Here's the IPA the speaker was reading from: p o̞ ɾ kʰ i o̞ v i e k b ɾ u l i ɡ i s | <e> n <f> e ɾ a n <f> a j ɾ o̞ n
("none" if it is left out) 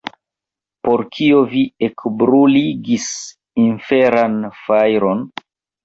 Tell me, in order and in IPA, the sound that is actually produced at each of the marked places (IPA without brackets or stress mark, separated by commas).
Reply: i, f, f